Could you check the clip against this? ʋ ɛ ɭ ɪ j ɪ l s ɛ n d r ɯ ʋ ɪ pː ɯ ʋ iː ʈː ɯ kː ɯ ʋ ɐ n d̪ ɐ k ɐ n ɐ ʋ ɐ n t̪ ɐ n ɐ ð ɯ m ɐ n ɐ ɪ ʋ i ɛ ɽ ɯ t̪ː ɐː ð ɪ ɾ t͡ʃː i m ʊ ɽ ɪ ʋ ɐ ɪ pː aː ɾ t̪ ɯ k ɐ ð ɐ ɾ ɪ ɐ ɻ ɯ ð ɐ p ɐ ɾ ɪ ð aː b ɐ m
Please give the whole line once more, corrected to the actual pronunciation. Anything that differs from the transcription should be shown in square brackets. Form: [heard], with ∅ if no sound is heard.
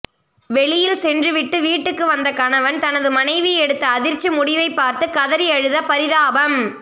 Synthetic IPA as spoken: ʋ ɛ ɭ ɪ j ɪ l s ɛ n d r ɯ ʋ ɪ [ʈː] ɯ ʋ iː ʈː ɯ kː ɯ ʋ ɐ n d̪ ɐ k ɐ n ɐ ʋ ɐ n t̪ ɐ n ɐ ð ɯ m ɐ n ɐ ɪ ʋ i ɛ ɽ ɯ t̪ː ɐː ð ɪ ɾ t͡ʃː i m ʊ ɽ ɪ ʋ ɐ ɪ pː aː ɾ t̪ ɯ k ɐ ð ɐ ɾ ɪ ɐ ɻ ɯ ð ɐ p ɐ ɾ ɪ ð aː b ɐ m